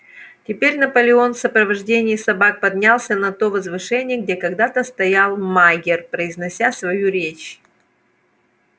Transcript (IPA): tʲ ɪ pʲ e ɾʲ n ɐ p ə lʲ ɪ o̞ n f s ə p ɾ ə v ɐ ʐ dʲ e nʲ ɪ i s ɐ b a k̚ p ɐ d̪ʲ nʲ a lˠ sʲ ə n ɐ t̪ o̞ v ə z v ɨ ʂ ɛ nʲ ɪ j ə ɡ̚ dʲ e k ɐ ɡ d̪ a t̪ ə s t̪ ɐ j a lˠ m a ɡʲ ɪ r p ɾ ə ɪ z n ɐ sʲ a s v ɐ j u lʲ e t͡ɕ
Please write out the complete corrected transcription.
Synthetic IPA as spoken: tʲ ɪ pʲ e ɾʲ n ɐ p ə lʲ ɪ o̞ n f s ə p ɾ ə v ɐ ʐ dʲ e nʲ ɪ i s ɐ b a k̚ p ɐ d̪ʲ nʲ a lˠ sʲ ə n ɐ t̪ o̞ v ə z v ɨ ʂ ɛ nʲ ɪ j ə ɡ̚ dʲ e k ɐ ɡ d̪ a t̪ ə s t̪ ɐ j a lˠ m a ɡʲ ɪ r p ɾ ə ɪ z n ɐ sʲ a s v ɐ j u ɾʲ e t͡ɕ